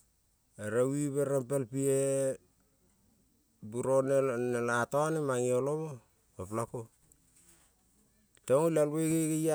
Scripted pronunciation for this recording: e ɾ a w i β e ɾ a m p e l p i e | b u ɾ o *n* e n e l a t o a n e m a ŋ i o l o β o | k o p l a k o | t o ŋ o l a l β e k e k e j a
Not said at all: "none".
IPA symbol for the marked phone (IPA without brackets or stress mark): n